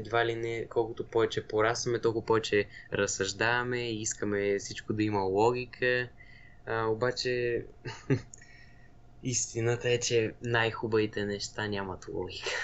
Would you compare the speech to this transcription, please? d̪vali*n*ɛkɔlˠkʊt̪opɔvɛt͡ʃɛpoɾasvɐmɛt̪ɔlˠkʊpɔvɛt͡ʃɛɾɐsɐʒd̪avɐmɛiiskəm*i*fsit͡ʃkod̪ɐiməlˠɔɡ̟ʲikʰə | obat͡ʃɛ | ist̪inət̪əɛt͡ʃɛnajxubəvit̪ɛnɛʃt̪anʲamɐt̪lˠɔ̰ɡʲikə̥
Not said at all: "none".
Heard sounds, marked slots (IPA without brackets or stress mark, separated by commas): n, ɛ